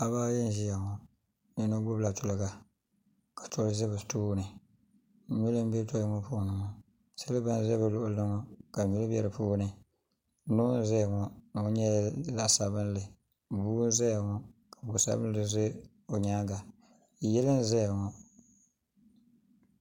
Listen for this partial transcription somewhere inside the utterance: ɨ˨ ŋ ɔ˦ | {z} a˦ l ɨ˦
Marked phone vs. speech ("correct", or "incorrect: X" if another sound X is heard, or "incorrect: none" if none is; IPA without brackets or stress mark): incorrect: s